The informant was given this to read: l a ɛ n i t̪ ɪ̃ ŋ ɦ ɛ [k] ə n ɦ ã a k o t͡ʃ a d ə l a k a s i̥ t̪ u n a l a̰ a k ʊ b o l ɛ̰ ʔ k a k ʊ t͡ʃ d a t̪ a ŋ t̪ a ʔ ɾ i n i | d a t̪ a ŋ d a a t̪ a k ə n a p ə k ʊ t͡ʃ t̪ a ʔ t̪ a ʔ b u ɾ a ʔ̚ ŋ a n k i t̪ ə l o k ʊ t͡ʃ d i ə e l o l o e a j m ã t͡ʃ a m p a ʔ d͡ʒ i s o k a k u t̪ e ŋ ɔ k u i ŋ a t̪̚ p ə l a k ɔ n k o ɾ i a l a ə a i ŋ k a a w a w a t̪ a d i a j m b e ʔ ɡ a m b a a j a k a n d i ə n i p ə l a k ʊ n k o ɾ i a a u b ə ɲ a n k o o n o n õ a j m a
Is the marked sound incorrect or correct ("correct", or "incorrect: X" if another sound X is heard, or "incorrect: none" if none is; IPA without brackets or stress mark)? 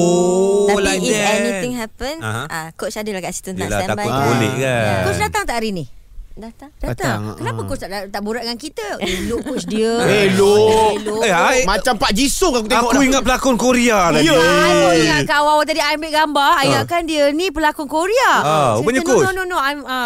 incorrect: p